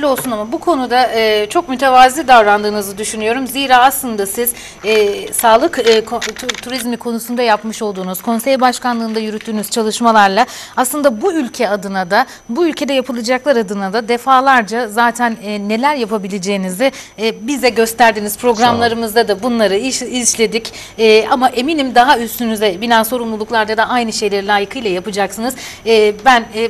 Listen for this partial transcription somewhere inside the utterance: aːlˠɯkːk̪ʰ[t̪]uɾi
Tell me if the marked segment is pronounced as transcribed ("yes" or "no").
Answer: no